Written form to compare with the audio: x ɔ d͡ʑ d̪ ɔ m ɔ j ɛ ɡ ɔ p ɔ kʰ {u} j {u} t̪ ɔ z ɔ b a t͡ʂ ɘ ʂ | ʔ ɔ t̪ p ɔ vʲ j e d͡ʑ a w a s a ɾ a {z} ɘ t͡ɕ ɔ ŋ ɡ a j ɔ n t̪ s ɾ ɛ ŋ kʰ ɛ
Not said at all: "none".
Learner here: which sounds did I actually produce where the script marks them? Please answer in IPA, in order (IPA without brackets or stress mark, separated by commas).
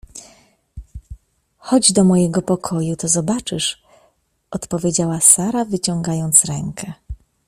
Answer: ɔ, u, v